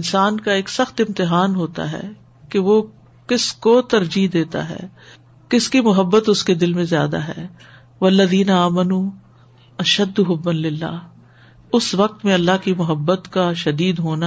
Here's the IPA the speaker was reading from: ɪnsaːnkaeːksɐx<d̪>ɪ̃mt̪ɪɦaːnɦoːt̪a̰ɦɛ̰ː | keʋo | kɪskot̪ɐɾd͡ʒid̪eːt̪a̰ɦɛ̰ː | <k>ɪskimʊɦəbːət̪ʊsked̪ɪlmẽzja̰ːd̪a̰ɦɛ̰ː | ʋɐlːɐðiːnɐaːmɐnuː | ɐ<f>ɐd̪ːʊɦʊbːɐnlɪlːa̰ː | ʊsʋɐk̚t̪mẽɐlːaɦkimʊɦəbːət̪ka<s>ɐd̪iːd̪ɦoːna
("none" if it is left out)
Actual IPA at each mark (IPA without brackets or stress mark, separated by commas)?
t̪, k, ʃ, ʃ